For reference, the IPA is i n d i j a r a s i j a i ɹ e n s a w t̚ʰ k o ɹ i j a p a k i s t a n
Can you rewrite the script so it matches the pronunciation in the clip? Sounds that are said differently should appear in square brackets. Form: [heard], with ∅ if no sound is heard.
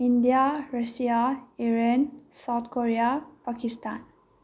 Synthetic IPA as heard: i n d i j a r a s i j a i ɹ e n s a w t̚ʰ k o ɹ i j a p a k i s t a n